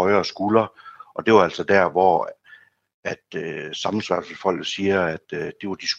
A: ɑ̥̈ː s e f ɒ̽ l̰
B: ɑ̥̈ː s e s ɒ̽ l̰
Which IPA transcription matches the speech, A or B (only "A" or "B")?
A